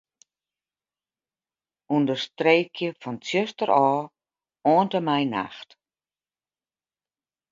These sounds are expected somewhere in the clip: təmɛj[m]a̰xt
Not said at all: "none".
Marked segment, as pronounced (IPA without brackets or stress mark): n